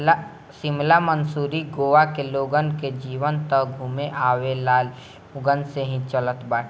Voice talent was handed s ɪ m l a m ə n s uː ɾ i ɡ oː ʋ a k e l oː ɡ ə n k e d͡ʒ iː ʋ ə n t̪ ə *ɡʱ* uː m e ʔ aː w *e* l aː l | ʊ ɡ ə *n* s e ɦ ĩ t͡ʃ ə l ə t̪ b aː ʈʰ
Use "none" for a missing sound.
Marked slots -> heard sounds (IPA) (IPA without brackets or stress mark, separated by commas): ɡʱ, e, n